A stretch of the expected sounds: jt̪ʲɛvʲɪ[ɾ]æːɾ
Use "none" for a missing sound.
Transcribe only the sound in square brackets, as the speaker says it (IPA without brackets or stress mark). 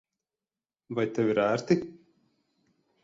ɾ